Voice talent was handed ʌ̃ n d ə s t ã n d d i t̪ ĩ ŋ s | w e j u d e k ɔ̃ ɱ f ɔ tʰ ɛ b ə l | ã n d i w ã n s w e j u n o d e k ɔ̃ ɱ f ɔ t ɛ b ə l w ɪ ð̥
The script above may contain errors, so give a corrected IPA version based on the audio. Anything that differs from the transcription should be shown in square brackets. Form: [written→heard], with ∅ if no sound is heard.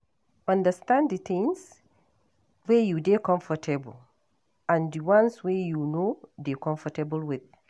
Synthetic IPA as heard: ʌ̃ n d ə s t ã n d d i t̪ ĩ ŋ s | w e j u d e k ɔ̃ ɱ f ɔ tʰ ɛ b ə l | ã n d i w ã n s w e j u n o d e k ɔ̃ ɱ f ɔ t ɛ b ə l w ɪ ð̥